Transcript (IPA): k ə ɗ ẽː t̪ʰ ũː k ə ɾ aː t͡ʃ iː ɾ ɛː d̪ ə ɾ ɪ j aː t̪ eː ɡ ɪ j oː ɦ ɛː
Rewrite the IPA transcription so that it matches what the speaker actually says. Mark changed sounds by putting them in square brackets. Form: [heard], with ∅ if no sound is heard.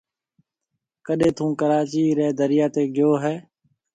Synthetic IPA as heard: k ə ɗ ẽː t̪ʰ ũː k ə ɾ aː t͡ʃ iː ɾ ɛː d̪ ə ɾ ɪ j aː t̪ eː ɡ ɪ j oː ɦ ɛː